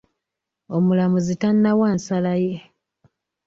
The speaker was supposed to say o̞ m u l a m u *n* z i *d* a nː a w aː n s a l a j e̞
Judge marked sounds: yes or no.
no, no

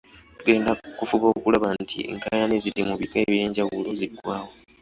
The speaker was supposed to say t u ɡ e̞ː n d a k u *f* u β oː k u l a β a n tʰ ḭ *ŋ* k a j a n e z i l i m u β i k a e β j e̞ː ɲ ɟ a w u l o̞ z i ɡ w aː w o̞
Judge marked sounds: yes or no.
yes, yes

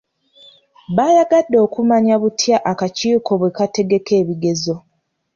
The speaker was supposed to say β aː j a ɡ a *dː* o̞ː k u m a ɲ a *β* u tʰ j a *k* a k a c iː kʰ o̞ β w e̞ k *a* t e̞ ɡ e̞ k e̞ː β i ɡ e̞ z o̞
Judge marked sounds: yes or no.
yes, yes, no, yes

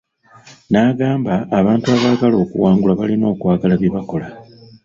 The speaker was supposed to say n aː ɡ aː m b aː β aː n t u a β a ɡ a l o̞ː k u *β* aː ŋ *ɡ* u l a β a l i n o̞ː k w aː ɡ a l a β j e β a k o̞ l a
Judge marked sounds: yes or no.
no, yes

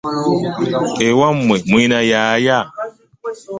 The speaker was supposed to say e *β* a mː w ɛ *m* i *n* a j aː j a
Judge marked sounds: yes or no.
no, yes, yes

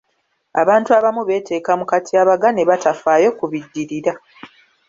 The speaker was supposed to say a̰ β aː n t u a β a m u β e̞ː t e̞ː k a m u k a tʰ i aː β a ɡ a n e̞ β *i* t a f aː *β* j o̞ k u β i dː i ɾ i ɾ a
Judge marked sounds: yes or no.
no, no

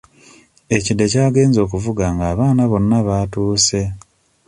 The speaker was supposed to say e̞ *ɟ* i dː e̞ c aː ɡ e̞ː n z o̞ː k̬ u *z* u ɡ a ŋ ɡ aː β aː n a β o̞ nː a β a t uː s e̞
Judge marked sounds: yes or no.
no, no

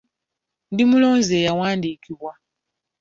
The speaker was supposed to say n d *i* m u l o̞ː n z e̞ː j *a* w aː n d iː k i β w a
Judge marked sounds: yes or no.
yes, yes

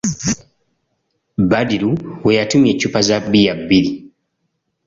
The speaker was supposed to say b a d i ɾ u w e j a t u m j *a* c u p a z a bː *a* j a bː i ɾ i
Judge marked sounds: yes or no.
no, no

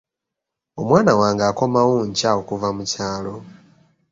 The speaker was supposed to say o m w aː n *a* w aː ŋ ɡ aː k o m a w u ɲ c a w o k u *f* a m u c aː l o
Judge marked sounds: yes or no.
yes, no

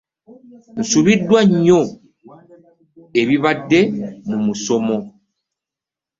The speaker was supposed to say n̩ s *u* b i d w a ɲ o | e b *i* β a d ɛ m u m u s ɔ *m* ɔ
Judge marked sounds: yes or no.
yes, yes, yes

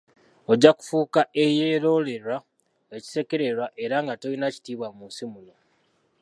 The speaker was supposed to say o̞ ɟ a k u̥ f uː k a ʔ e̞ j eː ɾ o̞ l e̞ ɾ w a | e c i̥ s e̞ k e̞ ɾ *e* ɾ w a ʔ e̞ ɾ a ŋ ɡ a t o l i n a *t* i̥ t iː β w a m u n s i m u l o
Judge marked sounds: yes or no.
yes, no

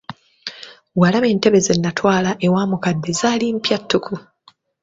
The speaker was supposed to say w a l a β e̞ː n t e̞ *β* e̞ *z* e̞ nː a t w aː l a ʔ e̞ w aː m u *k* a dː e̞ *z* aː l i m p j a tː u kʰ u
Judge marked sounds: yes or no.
yes, yes, yes, yes

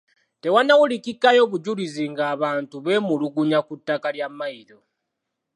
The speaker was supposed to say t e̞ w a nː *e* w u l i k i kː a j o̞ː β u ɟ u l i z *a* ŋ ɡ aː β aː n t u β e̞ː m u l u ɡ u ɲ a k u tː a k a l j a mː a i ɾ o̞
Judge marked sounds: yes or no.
no, no

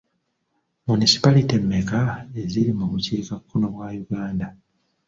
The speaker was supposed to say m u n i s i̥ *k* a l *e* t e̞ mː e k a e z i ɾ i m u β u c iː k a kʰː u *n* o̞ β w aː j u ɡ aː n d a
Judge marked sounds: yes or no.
no, no, yes

